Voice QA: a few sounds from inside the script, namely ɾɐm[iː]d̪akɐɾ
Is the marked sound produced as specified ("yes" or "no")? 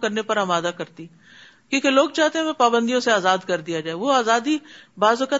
no